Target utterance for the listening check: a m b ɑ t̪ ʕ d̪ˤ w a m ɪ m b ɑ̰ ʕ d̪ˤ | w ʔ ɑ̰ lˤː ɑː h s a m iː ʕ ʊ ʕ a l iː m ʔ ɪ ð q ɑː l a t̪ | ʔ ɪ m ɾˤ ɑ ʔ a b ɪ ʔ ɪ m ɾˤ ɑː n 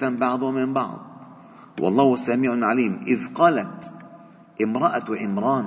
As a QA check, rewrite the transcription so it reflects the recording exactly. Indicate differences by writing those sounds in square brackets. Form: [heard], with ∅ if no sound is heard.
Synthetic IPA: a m b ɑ [∅] ʕ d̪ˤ w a m ɪ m b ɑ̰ ʕ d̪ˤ | w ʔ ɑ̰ lˤː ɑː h s a m iː ʕ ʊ ʕ a l iː m ʔ ɪ ð q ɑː l a t̪ | ʔ ɪ m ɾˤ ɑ ʔ a [w] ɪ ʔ ɪ m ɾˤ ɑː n